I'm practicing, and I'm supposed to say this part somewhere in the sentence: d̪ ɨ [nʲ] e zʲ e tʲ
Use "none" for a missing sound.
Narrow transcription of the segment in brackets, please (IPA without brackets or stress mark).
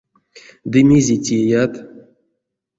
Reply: mʲ